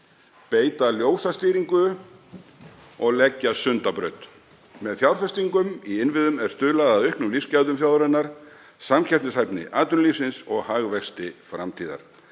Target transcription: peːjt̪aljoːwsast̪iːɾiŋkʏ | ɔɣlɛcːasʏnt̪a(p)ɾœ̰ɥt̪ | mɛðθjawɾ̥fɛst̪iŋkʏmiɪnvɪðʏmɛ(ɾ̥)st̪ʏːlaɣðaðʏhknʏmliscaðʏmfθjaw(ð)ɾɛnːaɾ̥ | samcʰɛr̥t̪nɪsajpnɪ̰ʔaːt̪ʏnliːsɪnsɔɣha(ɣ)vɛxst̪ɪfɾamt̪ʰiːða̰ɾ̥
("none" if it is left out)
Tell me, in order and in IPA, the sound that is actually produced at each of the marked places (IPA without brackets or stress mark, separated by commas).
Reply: p, ɾ̥, ð, ɣ